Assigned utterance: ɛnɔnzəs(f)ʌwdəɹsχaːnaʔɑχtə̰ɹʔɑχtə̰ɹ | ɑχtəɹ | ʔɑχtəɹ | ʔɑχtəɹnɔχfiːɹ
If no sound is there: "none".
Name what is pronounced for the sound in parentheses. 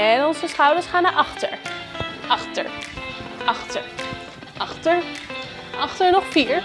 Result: χ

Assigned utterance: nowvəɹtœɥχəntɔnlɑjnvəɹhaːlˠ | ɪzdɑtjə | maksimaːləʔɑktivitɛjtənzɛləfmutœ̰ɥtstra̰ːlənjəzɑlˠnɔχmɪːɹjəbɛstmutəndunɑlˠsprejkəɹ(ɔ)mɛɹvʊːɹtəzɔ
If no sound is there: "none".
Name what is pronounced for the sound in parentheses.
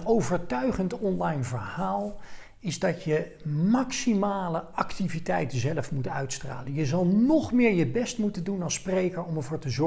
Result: ɔ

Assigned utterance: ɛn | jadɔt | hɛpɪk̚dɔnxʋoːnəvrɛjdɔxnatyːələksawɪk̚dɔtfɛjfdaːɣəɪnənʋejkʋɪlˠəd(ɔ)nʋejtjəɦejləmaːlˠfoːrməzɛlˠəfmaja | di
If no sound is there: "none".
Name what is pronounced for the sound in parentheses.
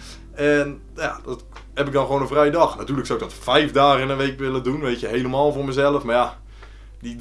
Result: u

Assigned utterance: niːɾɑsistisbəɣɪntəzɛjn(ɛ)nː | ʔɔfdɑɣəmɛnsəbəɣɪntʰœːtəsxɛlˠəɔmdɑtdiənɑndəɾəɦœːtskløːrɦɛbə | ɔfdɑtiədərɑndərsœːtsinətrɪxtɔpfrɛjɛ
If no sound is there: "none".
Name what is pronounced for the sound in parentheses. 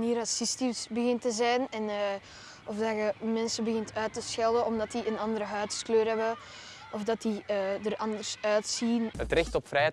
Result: ɛ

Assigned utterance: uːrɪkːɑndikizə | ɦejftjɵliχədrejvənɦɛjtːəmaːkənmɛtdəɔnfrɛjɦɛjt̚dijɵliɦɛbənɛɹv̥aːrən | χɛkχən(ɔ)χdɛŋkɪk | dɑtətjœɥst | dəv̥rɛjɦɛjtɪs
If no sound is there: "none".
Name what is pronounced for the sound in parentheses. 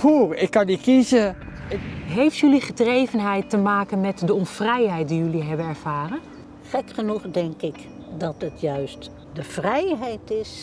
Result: u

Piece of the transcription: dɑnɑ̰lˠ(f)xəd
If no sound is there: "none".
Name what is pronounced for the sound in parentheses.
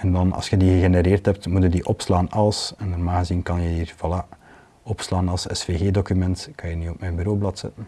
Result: s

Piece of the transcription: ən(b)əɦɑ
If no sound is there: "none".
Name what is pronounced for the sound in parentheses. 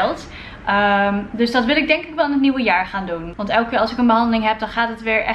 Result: b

